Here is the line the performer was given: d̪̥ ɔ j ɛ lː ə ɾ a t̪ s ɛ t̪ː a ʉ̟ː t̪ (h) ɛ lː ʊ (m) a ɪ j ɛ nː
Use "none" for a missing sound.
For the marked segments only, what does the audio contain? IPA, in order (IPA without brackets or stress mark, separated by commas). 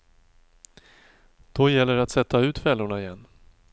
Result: f, ɳ